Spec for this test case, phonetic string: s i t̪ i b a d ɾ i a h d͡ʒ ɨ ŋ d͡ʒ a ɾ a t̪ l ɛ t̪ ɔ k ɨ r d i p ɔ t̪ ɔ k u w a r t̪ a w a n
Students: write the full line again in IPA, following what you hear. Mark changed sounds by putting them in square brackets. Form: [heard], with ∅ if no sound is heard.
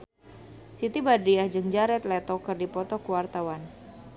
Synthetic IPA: s i t̪ i b a d ɾ i a h d͡ʒ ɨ ŋ d͡ʒ a ɾ [ɛ] t̪ l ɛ t̪ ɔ k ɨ r d i p ɔ t̪ ɔ k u w a r t̪ a w a n